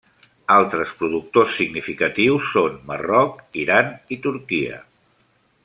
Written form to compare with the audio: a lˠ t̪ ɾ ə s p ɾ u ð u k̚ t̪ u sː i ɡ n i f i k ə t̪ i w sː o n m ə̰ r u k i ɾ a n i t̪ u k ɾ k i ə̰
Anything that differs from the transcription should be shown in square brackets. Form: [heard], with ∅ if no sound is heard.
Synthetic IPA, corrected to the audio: a lˠ t̪ ɾ ə s p ɾ u ð u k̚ t̪ [o] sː i ɡ n i f i k ə t̪ i w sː o n m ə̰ r [ɔ] k i ɾ a n i t̪ u [∅] ɾ k i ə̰